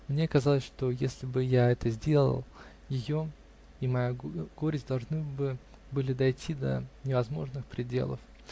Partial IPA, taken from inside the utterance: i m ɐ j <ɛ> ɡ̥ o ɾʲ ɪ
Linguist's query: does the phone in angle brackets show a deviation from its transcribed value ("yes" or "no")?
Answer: yes